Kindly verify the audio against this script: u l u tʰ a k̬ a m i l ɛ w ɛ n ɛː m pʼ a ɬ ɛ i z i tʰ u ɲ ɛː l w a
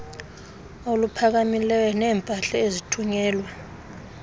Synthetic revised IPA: o l u pʰ a k̬ a m i l ɛ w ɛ n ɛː m pʼ a ɬ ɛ e z i tʰ u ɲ ɛː l w a